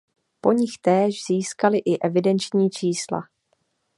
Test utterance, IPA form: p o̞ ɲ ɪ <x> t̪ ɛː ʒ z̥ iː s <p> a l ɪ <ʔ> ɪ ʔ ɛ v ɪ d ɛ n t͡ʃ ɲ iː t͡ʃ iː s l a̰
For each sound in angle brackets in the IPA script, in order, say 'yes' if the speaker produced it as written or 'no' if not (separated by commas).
yes, no, yes